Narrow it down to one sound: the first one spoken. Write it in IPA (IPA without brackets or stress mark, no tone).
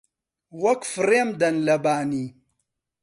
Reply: w